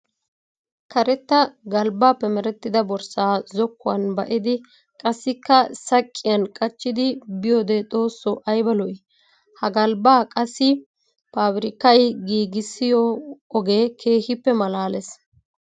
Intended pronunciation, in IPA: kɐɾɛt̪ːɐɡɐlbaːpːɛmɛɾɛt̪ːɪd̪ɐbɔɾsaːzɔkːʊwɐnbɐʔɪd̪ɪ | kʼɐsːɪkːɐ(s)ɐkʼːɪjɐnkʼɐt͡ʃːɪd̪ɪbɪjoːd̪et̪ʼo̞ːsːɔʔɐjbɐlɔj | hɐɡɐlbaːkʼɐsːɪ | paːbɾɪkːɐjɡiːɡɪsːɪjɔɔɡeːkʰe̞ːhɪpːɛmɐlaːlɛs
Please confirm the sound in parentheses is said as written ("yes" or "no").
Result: yes